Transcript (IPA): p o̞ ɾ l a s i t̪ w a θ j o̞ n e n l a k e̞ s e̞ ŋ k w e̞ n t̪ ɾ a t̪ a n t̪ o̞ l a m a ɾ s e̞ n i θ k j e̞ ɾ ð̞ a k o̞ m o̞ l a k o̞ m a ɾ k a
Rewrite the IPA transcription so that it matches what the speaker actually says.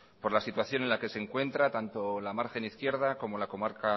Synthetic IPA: p o̞ ɾ l a s i t̪ w a θ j o̞ n e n l a k e̞ s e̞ ŋ k w e̞ n t̪ ɾ a t̪ a n t̪ o̞ l a m a ɾ x e̞ n i θ k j e̞ ɾ ð̞ a k o̞ m o̞ l a k o̞ m a ɾ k a